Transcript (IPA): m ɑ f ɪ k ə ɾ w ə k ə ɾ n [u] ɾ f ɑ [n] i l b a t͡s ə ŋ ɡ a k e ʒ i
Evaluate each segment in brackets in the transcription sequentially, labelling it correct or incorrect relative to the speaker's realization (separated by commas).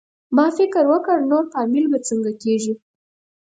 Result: incorrect, incorrect